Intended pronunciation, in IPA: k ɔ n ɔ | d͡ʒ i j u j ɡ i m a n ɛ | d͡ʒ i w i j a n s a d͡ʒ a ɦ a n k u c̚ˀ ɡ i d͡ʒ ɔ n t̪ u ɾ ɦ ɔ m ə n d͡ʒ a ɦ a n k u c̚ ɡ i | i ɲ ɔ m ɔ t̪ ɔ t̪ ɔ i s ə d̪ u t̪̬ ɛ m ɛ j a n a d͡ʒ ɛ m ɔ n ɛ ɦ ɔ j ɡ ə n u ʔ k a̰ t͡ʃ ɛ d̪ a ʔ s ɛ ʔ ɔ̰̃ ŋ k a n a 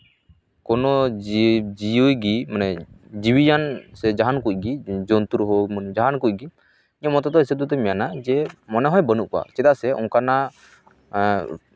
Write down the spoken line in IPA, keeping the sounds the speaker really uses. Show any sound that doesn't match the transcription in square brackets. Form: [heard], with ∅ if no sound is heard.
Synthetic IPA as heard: k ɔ n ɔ | d͡ʒ i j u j ɡ i m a n ɛ | d͡ʒ i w i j a n s [ɛ] d͡ʒ a ɦ a n k u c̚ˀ ɡ i d͡ʒ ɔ n t̪ u ɾ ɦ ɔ m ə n d͡ʒ a ɦ a n k u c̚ ɡ i | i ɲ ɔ m ɔ t̪ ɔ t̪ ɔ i s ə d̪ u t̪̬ ɛ m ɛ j a n a d͡ʒ ɛ m ɔ n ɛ ɦ ɔ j [b] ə n u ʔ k a̰ t͡ʃ ɛ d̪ a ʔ s ɛ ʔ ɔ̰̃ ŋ k a n a